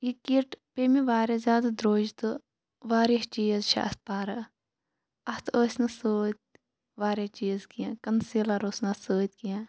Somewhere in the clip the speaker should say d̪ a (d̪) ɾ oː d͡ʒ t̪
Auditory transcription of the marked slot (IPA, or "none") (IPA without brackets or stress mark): d̪